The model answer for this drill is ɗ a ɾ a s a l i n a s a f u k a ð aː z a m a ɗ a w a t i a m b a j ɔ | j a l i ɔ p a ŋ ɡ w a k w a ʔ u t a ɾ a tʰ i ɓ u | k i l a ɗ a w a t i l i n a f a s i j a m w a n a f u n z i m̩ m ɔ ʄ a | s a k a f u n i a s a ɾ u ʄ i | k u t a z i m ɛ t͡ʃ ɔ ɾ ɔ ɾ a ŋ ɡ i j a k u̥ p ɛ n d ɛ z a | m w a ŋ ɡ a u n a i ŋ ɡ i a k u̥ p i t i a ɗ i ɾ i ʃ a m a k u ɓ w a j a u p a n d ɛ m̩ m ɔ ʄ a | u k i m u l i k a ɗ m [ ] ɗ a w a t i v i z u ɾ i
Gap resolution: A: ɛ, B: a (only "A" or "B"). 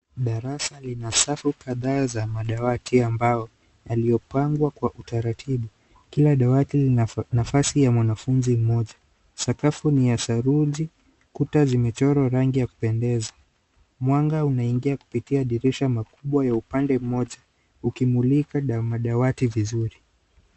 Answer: B